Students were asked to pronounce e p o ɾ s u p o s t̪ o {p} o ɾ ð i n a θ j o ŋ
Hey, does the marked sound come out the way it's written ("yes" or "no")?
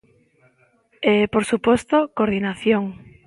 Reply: no